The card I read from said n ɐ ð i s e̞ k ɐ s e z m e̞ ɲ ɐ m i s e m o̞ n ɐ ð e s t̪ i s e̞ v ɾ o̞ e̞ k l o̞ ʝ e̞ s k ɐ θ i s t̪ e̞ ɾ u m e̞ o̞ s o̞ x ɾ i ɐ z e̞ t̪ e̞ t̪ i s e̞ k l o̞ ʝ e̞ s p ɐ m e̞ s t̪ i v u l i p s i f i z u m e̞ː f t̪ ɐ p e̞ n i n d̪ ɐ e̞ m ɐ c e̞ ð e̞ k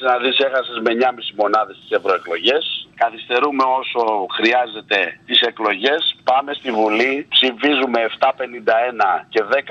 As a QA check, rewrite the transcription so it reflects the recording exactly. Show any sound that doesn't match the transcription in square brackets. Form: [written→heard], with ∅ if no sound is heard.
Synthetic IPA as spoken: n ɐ ð i s e̞ [k→x] ɐ s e z m e̞ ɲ ɐ m i s [e→i] m o̞ n ɐ ð e s t̪ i s e̞ v ɾ o̞ e̞ k l o̞ ʝ e̞ s k ɐ θ i s t̪ e̞ ɾ u m e̞ o̞ s o̞ x ɾ i ɐ z e̞ t̪ e̞ t̪ i s e̞ k l o̞ ʝ e̞ s p ɐ m e̞ s t̪ i v u l i p s i f i z u m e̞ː f t̪ ɐ p e̞ n i n d̪ ɐ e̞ [m→n] ɐ c e̞ ð e̞ k